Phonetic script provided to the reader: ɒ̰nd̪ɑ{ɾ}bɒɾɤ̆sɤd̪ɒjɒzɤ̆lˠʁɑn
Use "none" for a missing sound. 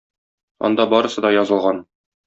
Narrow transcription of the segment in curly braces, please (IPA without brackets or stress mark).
none